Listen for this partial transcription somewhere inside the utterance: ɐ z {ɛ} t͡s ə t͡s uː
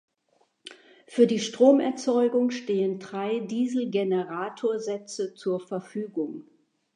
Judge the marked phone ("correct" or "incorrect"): correct